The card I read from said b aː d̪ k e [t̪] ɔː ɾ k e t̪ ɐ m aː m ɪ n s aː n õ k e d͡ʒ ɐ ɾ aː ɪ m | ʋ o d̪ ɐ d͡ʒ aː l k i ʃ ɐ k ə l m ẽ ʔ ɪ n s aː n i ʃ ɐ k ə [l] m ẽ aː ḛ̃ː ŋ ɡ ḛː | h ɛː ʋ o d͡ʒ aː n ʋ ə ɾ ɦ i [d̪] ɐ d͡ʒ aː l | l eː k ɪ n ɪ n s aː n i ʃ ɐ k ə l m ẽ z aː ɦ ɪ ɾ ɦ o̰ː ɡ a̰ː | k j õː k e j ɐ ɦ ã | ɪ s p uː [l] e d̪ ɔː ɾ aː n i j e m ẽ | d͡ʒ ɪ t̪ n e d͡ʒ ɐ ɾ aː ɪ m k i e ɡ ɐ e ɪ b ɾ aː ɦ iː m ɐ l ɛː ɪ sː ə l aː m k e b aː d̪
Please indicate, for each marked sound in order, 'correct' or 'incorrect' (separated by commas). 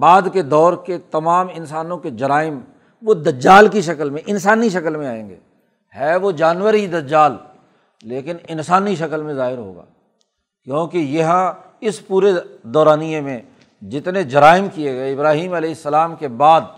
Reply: incorrect, correct, correct, incorrect